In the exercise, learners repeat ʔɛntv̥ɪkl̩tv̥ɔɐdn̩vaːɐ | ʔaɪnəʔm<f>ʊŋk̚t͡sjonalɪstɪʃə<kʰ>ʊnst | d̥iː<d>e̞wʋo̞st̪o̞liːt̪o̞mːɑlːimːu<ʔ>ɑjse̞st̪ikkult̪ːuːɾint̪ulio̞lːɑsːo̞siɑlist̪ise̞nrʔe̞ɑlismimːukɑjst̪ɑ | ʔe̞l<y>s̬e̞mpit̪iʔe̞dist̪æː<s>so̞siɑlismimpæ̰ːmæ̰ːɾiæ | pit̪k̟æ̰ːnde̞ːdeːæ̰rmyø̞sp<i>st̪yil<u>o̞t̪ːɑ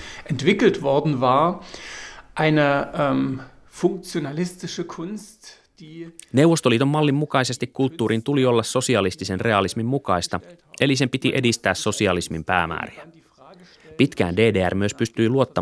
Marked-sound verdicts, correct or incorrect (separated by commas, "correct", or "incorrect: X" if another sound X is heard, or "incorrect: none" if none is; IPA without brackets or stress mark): correct, correct, incorrect: n, incorrect: k, incorrect: i, correct, incorrect: y, correct